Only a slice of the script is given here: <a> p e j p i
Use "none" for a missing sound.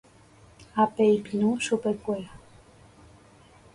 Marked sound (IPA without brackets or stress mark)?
a